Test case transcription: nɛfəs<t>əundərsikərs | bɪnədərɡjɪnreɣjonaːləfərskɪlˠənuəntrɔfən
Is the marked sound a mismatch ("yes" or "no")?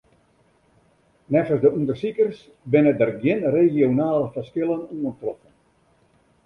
yes